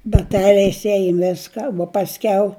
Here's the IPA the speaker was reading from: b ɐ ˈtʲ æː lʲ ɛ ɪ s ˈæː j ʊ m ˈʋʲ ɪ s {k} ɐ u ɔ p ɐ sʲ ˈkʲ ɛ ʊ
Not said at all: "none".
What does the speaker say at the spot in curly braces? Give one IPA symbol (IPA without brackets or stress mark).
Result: k